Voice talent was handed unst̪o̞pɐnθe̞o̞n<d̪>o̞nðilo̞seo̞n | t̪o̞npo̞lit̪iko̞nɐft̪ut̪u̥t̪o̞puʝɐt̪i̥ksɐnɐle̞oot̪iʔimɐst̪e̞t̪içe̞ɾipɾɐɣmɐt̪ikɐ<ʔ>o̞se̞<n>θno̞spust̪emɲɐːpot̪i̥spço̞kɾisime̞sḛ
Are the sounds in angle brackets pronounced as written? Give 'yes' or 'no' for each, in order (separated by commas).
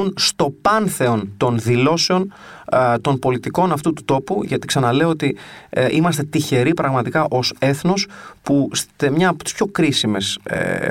no, yes, no